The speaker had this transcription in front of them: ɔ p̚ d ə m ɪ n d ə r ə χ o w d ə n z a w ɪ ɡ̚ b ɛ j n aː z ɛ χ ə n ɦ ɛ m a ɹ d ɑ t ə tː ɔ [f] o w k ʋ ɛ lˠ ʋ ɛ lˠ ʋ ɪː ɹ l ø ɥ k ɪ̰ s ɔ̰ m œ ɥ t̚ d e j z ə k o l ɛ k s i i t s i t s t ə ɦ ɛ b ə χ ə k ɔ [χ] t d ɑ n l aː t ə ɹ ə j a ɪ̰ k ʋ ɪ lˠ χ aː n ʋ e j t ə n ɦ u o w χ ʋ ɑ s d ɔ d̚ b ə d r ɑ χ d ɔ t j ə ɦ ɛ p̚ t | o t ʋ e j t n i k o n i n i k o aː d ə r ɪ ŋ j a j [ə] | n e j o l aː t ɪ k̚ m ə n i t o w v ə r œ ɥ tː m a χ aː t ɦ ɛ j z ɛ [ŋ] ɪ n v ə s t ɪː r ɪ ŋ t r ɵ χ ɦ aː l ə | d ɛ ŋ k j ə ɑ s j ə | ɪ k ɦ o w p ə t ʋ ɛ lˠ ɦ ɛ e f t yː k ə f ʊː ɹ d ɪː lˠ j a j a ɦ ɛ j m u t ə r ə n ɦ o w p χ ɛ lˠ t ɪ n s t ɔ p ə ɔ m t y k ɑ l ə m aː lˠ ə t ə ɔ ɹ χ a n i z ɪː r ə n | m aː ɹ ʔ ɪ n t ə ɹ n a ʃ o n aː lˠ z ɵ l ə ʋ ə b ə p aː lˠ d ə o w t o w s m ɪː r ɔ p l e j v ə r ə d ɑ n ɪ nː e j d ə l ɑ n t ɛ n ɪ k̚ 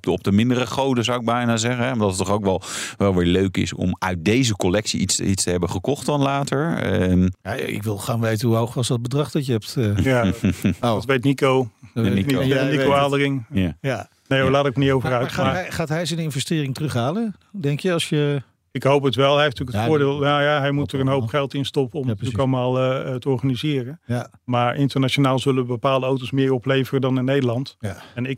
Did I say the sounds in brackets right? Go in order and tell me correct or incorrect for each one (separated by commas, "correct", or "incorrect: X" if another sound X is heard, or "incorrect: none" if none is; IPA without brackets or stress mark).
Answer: incorrect: χ, correct, incorrect: a, incorrect: n